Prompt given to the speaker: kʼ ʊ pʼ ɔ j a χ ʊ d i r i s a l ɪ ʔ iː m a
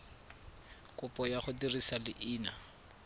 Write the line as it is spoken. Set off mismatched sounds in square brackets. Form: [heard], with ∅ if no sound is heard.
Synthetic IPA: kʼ ʊ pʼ ɔ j a χ ʊ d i r i s a l ɪ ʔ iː [n] a